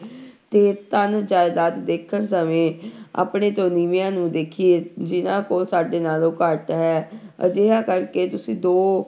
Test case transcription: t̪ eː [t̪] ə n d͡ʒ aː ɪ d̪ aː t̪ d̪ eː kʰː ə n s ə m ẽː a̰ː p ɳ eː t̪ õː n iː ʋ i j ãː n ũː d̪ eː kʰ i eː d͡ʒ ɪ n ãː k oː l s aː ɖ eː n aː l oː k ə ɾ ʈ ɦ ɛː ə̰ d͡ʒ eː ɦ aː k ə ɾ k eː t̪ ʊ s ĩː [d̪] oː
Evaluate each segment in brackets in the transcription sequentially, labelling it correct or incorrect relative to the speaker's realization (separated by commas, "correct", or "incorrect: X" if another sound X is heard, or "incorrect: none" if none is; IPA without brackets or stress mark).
correct, correct